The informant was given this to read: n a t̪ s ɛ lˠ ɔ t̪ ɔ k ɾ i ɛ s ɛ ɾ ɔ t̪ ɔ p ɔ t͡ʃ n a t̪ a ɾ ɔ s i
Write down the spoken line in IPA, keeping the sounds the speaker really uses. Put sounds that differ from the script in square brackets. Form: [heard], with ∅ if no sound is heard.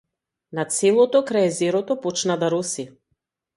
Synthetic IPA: n a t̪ s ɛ lˠ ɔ t̪ ɔ k ɾ [a] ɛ [z] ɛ ɾ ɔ t̪ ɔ p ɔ t͡ʃ n a [d̪] a ɾ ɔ s i